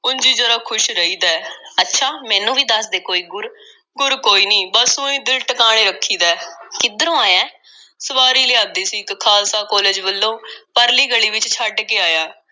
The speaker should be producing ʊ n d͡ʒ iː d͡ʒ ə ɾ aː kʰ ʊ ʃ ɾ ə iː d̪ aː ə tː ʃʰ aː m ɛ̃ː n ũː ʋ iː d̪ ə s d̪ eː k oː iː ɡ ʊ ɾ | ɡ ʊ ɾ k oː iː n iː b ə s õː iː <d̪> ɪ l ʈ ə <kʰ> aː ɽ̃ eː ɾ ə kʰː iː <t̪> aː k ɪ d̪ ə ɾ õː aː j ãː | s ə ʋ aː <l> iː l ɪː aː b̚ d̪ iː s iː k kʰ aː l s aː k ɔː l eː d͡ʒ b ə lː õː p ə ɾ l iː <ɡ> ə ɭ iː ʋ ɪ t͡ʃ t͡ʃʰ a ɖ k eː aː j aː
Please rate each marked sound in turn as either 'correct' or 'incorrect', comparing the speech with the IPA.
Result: correct, incorrect, incorrect, incorrect, correct

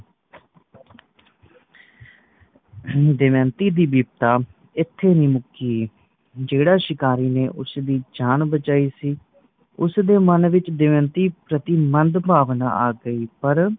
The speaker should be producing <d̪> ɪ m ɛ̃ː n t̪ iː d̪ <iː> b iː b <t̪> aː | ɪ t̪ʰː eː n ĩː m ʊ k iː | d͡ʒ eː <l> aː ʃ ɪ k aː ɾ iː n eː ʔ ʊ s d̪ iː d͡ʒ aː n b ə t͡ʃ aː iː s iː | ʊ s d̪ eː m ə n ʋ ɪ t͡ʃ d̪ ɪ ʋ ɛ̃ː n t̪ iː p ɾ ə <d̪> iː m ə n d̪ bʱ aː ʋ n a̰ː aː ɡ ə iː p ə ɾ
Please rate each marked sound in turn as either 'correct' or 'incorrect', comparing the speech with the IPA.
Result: correct, correct, correct, incorrect, incorrect

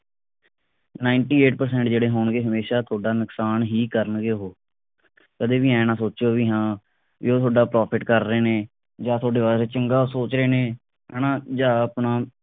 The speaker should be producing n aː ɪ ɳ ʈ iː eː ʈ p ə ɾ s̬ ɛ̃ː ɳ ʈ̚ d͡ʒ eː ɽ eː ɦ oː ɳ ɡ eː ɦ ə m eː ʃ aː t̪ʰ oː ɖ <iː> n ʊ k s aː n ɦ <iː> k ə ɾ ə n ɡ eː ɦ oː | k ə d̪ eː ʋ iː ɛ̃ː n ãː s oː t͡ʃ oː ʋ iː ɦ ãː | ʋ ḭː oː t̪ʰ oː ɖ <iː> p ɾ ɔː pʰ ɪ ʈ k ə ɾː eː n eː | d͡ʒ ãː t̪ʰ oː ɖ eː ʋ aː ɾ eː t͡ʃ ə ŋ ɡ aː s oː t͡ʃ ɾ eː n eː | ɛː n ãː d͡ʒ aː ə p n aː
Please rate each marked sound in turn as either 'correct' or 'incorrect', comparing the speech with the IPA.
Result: incorrect, correct, incorrect

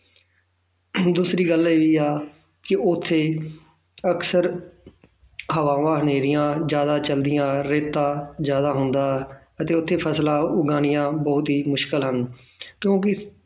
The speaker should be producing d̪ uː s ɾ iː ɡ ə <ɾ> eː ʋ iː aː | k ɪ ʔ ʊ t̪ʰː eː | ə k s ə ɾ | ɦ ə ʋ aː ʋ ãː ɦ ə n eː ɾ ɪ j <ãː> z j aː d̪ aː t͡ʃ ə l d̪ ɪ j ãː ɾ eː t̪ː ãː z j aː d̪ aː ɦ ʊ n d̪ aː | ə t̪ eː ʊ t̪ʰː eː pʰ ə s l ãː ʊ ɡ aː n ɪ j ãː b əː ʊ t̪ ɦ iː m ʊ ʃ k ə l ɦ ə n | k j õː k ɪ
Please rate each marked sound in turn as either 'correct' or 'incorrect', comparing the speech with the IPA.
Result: incorrect, correct

